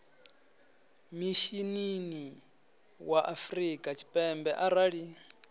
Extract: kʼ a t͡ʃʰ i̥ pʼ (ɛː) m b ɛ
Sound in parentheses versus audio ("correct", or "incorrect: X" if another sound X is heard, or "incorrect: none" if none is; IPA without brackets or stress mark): incorrect: ɛ